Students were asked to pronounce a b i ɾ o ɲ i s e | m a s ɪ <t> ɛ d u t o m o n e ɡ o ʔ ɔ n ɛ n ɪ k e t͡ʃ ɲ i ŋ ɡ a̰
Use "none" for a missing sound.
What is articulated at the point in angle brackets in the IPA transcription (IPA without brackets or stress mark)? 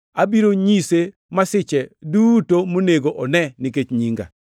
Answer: t͡ʃ